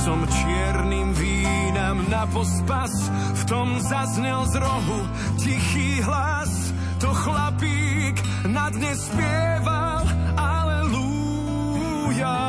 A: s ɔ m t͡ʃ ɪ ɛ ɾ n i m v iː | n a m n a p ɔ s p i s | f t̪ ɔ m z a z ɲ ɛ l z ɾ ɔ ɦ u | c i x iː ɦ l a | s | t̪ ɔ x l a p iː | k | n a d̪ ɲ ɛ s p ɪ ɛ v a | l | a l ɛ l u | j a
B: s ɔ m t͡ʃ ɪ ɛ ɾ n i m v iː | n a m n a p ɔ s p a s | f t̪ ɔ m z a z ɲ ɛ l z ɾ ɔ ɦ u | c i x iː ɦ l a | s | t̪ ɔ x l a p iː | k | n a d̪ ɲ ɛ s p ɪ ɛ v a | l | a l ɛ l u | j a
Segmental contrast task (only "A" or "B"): B